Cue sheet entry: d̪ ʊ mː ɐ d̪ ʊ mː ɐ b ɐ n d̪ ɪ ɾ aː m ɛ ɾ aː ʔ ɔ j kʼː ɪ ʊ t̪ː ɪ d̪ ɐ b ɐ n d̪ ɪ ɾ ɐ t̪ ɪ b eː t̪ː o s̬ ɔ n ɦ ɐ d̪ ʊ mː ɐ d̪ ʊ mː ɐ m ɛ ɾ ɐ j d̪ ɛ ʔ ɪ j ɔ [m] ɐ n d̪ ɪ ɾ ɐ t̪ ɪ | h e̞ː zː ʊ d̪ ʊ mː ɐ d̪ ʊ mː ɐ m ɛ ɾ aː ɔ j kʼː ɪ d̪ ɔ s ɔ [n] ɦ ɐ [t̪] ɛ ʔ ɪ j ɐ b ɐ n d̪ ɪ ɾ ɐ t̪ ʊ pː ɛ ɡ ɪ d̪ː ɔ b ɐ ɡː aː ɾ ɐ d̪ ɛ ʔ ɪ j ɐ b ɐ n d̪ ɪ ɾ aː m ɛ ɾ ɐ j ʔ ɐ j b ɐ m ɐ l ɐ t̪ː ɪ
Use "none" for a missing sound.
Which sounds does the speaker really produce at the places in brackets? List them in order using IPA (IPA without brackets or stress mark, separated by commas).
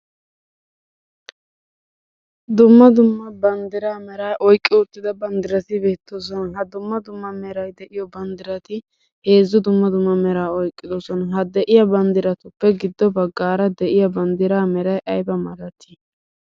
b, n, d̪